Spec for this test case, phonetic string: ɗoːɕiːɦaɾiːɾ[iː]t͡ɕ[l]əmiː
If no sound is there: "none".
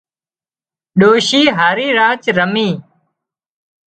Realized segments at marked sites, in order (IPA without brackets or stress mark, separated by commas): aː, ɾ